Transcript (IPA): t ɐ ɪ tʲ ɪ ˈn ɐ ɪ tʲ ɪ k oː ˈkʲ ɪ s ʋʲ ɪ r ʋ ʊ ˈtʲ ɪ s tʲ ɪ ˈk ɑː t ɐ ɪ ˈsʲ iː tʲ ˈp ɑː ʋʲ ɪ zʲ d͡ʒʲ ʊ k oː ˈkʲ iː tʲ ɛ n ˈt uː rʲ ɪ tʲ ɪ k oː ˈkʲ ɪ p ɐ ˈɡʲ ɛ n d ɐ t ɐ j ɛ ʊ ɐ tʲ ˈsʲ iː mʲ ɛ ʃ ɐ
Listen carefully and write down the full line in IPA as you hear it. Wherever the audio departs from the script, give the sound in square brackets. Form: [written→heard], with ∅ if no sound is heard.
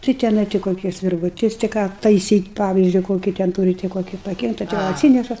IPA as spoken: t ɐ ɪ tʲ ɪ ˈn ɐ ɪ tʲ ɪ k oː ˈkʲ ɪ s ʋʲ ɪ r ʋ ʊ ˈtʲ ɪ s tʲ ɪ ˈk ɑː t ɐ ɪ ˈsʲ iː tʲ ˈp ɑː ʋʲ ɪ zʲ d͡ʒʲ ʊ k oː ˈkʲ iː tʲ ɛ n ˈt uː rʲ ɪ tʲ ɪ k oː ˈkʲ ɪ p ɐ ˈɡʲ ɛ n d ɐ t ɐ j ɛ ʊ ɐ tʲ ˈsʲ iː [mʲ→nʲ] ɛ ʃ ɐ